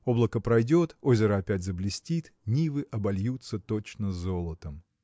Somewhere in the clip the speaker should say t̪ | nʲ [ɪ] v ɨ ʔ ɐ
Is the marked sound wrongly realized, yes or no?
yes